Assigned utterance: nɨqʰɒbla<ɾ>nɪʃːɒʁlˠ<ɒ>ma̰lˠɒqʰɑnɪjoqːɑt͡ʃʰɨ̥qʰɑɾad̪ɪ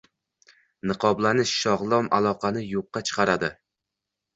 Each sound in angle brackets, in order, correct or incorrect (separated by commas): incorrect, correct